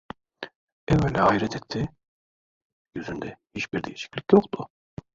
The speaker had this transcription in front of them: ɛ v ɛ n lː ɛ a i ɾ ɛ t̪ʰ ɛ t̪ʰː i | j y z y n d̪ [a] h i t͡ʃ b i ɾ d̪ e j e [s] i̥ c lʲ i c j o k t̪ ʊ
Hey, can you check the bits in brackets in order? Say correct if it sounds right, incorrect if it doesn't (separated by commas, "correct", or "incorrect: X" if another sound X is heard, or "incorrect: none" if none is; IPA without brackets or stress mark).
incorrect: ɛ, incorrect: ʃ